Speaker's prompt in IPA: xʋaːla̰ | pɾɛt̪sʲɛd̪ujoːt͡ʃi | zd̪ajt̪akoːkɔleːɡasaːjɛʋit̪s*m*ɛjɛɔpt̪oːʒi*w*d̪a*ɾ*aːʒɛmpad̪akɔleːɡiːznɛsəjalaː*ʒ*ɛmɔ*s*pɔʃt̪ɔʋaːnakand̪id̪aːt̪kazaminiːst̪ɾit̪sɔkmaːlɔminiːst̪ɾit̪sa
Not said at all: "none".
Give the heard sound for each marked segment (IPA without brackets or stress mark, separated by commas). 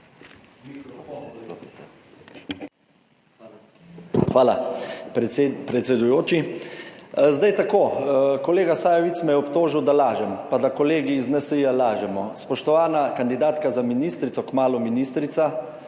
m, w, l, ʒ, s